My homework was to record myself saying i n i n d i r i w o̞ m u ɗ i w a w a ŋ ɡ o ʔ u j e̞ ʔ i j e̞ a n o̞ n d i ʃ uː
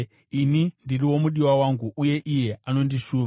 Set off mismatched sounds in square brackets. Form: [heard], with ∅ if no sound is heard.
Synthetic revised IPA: i n i n d i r i w o̞ m u ɗ i w a w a ŋ ɡ [u] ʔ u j e̞ ʔ i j e̞ a n o̞ n d i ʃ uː